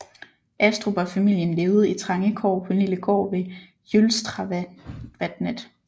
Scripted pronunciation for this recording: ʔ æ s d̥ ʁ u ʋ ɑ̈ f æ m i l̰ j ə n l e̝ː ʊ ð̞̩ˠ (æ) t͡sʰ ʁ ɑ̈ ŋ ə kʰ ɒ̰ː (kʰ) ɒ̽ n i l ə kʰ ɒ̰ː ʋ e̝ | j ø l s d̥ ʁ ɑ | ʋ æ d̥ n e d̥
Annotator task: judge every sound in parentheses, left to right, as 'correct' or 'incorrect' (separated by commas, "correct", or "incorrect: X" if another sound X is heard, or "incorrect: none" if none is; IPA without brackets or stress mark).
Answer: incorrect: i, incorrect: pʰ